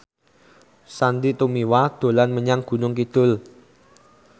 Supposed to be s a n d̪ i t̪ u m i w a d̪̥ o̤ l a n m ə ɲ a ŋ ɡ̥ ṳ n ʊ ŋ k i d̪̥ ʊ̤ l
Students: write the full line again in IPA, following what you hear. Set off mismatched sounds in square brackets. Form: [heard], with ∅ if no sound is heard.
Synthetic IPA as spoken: s a n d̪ i t̪ u m i w a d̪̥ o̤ l a n m ə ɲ a ŋ ɡ̥ ṳ n ʊ ŋ k i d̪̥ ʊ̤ l